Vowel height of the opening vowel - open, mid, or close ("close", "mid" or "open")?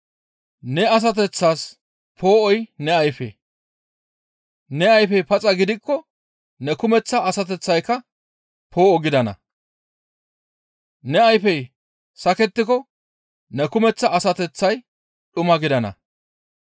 mid